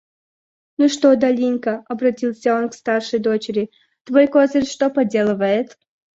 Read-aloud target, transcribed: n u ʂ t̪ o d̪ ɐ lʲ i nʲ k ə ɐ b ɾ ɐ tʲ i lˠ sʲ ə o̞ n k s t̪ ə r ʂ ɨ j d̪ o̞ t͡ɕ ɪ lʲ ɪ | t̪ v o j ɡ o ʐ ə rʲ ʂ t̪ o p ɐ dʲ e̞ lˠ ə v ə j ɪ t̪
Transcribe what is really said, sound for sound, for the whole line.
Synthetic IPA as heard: n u ʂ t̪ o d̪ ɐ lʲ i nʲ k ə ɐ b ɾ ɐ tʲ i lˠ sʲ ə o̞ n k s t̪ a r ʂ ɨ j d̪ o̞ t͡ɕ ɪ ɾʲ ɪ | t̪ v o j k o z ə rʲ ʂ t̪ o p ɐ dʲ e̞ lˠ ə v ə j ɪ t̪